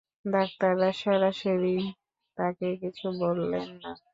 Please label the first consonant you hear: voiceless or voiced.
voiced